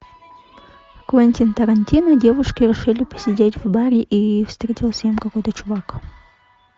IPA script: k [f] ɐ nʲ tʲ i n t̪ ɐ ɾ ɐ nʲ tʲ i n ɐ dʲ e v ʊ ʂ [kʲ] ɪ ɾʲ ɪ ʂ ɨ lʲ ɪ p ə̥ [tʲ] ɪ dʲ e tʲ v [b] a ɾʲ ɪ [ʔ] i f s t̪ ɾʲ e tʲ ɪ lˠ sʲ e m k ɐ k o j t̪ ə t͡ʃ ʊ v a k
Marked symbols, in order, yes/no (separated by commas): no, yes, no, yes, yes